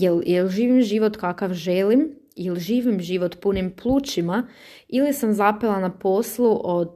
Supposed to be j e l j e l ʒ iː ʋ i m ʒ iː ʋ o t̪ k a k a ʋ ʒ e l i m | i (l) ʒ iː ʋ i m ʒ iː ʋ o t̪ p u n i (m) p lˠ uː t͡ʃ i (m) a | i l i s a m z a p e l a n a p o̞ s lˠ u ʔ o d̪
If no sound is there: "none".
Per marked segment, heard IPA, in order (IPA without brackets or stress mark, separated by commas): l, m, m